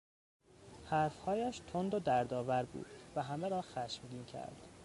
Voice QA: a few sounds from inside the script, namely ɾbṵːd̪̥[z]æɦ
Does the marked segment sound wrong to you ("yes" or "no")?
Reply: yes